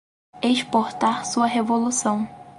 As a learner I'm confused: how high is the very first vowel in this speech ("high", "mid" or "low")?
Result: mid